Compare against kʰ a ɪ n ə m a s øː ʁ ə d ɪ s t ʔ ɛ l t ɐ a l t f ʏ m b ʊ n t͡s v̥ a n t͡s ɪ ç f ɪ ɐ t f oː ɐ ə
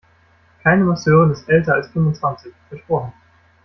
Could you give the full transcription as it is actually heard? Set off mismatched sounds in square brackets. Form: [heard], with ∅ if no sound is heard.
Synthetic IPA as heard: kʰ a ɪ n ə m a s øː ʁ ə [n] ɪ s t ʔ ɛ l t ɐ a l [s] f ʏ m [v] ʊ n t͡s v̥ a n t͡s ɪ ç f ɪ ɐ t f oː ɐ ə